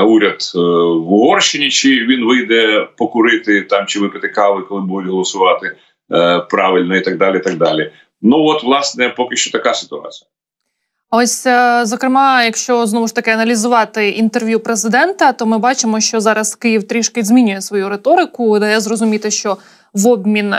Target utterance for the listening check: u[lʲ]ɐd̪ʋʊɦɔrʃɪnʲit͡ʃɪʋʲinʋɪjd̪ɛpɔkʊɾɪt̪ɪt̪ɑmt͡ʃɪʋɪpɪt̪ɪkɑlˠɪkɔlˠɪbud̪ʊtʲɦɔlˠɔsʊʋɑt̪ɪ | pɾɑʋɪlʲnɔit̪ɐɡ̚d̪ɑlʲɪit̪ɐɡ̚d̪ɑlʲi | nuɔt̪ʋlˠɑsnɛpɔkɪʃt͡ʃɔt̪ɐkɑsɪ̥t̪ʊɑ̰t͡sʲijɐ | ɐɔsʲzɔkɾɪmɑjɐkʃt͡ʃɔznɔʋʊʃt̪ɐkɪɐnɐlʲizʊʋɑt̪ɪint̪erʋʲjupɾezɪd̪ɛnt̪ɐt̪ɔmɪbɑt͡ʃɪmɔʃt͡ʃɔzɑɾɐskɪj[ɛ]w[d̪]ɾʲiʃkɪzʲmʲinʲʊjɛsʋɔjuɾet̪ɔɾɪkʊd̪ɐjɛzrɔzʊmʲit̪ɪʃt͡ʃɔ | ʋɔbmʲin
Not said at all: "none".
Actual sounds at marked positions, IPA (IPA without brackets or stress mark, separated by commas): ɾʲ, i, t̪